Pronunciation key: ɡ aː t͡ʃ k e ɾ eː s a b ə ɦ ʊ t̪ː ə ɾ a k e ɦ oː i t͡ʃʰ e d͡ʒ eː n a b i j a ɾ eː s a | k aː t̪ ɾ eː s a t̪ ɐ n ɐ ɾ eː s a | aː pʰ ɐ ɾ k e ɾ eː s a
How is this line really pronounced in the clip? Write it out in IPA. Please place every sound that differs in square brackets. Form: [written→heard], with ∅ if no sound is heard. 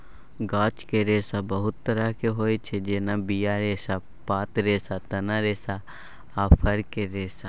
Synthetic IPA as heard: ɡ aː t͡ʃ k e ɾ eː s a b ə ɦ ʊ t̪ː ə ɾ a k e ɦ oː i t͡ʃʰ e d͡ʒ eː n a b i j a ɾ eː s a | [k→p] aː t̪ ɾ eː s a t̪ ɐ n [ɐ→a] ɾ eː s a | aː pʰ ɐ ɾ k e ɾ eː s a